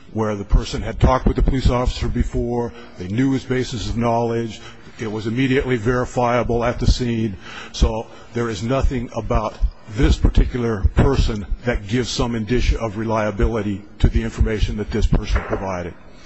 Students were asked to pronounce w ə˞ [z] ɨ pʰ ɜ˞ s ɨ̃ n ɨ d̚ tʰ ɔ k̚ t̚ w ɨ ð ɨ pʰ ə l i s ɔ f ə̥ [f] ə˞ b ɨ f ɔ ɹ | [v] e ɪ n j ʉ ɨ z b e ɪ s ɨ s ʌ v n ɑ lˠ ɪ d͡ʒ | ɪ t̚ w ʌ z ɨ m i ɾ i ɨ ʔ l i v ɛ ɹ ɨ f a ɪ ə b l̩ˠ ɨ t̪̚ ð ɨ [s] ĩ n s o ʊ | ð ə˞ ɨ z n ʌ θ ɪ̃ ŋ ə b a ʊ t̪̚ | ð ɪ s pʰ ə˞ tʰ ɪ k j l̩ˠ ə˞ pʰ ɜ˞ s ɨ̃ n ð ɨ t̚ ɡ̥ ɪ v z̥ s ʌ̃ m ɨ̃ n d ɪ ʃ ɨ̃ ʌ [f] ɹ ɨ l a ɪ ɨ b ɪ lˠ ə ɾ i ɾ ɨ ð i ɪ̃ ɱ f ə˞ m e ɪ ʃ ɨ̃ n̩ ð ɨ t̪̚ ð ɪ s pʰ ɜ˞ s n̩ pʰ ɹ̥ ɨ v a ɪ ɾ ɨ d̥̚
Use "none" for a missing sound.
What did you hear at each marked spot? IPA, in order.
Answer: ð, s, ð, s, v

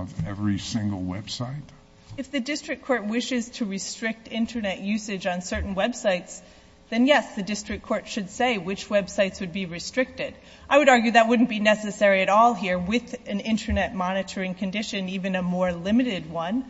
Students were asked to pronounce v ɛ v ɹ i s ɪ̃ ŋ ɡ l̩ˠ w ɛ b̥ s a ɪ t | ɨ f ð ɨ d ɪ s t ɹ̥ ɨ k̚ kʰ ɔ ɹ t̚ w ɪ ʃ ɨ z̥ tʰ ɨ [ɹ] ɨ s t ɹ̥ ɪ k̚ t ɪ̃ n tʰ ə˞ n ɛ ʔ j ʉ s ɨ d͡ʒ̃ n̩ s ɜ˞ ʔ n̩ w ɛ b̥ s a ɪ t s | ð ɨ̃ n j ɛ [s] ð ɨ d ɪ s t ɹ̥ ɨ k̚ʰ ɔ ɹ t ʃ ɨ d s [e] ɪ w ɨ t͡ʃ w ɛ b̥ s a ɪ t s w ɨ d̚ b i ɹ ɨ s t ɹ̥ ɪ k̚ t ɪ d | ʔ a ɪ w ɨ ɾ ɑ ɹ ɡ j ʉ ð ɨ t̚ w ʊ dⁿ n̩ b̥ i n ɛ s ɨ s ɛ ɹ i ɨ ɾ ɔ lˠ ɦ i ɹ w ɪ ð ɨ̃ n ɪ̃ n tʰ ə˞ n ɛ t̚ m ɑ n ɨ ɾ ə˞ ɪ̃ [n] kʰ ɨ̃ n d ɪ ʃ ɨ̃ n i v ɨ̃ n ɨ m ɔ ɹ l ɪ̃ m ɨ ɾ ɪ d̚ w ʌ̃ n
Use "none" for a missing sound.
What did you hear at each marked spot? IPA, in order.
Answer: ɹ, s, e, ŋ

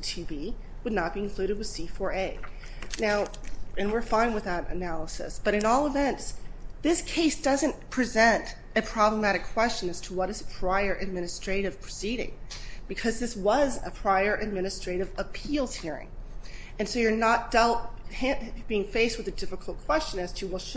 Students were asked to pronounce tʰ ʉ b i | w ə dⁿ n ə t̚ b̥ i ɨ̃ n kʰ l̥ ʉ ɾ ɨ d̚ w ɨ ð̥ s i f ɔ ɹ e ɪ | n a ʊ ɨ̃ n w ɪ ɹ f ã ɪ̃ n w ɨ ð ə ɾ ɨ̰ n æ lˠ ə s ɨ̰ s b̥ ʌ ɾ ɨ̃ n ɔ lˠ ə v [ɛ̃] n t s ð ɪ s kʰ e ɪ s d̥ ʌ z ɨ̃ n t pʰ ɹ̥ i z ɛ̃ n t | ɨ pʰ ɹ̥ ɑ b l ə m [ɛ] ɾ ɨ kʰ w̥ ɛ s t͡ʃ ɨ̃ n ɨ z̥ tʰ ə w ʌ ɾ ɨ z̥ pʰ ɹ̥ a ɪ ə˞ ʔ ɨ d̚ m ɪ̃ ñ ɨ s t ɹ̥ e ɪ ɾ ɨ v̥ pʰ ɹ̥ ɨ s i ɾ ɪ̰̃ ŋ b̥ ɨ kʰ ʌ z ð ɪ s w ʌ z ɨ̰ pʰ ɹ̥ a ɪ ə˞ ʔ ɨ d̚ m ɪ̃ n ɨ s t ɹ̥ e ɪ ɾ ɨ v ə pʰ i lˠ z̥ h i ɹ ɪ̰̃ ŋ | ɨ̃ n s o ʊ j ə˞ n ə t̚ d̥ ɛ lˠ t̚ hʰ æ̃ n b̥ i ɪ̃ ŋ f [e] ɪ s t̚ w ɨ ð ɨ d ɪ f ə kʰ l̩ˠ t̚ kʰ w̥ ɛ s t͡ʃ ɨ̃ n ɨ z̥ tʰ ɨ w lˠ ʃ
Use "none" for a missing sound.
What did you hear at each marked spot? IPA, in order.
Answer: ɛ̃, æ, e

